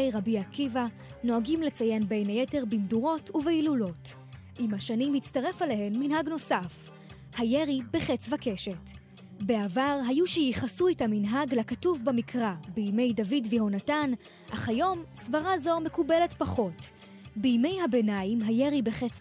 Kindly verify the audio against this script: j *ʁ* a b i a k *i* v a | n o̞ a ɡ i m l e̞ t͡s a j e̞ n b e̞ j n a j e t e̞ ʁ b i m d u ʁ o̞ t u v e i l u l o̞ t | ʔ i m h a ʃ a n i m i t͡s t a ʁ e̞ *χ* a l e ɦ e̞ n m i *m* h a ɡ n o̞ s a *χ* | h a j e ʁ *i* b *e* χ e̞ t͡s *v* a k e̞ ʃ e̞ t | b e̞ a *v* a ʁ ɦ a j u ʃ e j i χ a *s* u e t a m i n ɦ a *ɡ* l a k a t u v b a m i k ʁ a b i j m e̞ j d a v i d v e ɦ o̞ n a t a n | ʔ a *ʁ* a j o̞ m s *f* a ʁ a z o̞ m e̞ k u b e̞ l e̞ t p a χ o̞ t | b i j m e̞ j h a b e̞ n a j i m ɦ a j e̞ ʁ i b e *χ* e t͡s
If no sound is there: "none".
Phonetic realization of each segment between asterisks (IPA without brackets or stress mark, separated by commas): ʁ, i, f, n, f, i, e, v, v, s, ɡ, χ, v, χ